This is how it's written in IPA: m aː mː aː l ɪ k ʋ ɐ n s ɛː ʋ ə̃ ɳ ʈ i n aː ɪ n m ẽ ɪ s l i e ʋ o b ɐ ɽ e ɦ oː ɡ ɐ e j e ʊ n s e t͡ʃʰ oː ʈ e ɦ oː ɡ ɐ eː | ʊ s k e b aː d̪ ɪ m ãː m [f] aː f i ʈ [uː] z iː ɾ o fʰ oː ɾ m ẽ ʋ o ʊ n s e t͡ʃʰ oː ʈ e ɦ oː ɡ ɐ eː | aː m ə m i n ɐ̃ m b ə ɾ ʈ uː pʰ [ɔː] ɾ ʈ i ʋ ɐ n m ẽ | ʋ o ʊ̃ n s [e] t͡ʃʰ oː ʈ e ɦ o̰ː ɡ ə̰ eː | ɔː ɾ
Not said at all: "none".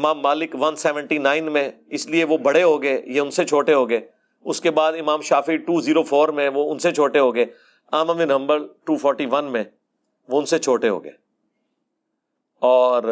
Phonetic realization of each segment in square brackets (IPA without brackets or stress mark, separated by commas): ʃ, uː, ɔː, e